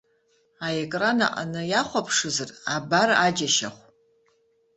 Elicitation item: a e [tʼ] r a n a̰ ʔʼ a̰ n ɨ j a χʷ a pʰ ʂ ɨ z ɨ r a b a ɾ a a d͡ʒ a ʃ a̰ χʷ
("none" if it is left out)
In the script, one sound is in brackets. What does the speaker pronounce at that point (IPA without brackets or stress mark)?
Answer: kʼ